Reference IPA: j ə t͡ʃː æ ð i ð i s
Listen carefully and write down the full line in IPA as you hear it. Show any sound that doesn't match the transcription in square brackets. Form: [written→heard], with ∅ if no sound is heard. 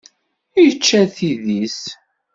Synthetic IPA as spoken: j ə t͡ʃː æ [ð→θ] i ð i s